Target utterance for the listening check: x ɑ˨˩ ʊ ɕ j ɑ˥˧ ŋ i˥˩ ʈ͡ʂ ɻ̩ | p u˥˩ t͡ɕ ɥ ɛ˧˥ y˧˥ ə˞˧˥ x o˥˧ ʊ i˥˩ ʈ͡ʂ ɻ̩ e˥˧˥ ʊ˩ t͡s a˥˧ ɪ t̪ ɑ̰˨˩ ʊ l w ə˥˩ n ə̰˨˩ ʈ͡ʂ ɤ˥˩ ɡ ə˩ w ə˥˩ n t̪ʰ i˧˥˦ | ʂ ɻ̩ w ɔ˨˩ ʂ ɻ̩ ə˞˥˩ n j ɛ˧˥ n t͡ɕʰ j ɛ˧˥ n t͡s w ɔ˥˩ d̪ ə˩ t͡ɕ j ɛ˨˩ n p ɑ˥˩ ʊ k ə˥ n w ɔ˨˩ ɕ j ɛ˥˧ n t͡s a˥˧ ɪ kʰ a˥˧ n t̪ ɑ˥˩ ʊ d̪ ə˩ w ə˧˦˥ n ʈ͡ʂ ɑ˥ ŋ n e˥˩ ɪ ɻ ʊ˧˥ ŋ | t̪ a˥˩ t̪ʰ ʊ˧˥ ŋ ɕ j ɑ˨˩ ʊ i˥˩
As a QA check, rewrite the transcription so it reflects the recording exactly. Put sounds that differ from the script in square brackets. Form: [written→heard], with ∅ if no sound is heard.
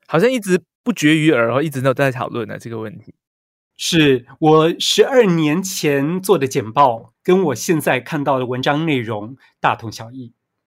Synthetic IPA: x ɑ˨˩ ʊ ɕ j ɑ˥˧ ŋ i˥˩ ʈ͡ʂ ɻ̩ | p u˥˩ t͡ɕ ɥ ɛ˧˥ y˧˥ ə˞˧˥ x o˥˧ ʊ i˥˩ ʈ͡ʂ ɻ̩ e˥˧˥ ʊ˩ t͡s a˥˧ ɪ [t̪→t̪ʰ] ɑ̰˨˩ ʊ l w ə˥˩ n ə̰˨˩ ʈ͡ʂ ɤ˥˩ ɡ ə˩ w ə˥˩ n t̪ʰ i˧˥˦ | ʂ ɻ̩ w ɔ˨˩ ʂ ɻ̩ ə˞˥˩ n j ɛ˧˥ n t͡ɕʰ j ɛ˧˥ n t͡s w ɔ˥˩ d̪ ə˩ t͡ɕ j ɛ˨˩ n p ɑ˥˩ ʊ k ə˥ n w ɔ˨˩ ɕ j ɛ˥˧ n t͡s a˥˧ ɪ kʰ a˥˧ n t̪ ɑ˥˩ ʊ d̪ ə˩ w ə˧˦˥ n ʈ͡ʂ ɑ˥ ŋ n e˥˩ ɪ ɻ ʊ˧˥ ŋ | t̪ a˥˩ t̪ʰ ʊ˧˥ ŋ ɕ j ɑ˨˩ ʊ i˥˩